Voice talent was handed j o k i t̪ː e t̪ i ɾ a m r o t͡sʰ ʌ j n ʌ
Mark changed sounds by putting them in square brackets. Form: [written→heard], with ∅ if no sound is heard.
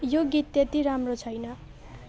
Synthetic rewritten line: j o [k→ɡ] i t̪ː e t̪ i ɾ a m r o t͡sʰ ʌ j n ʌ